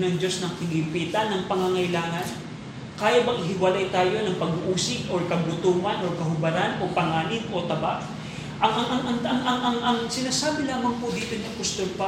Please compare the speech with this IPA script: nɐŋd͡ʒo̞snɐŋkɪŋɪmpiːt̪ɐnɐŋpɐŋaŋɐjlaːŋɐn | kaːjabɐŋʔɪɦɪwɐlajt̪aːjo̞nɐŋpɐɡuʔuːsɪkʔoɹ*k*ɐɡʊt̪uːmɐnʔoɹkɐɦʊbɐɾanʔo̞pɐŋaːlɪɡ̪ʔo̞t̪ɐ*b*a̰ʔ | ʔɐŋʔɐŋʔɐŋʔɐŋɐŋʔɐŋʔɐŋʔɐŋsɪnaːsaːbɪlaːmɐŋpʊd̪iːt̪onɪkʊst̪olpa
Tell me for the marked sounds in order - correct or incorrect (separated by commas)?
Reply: correct, correct